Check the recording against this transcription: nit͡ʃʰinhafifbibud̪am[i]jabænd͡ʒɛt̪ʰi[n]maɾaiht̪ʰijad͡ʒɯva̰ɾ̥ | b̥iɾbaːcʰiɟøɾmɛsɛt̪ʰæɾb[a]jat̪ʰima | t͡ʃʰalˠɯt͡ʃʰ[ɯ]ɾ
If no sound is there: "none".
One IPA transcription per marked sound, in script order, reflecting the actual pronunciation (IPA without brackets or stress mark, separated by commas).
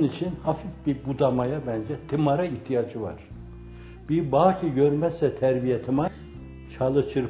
a, none, i, ɯ